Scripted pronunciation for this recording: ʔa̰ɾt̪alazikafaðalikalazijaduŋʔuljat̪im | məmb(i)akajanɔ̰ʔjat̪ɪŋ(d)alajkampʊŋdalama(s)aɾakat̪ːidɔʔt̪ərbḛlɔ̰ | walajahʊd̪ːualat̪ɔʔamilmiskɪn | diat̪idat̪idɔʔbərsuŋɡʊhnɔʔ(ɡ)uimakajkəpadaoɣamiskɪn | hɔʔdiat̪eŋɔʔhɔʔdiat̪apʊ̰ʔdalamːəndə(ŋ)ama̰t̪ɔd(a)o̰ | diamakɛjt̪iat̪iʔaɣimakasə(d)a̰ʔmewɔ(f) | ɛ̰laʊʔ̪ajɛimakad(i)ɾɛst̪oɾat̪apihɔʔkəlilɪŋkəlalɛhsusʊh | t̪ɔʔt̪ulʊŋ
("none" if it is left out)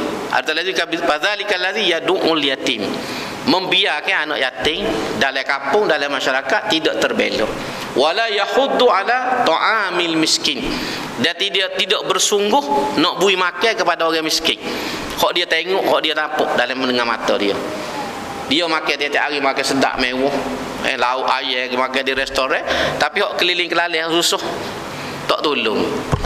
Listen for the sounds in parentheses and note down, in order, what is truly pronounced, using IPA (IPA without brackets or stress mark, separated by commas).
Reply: i, d, ʃ, b, ŋ, i, d, h, i